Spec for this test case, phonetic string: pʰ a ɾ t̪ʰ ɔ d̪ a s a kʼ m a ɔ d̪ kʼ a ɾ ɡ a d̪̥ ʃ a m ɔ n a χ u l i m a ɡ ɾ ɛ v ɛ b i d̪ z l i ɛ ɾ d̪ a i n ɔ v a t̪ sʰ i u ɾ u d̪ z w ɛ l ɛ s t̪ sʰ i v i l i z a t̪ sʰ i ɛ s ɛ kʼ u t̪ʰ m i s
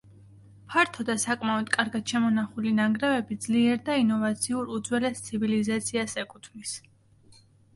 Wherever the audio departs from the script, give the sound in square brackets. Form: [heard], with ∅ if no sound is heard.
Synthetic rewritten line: pʰ a ɾ t̪ʰ ɔ d̪ a s a kʼ m a ɔ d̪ kʼ a ɾ ɡ a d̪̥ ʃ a m ɔ n a χ u l i [n] a ɡ ɾ ɛ v ɛ b i d̪ z l i ɛ ɾ d̪ a i n ɔ v a t̪ sʰ i u ɾ u d̪ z w ɛ l ɛ s t̪ sʰ i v i l i z a t̪ sʰ i [a] s ɛ kʼ u t̪ʰ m i s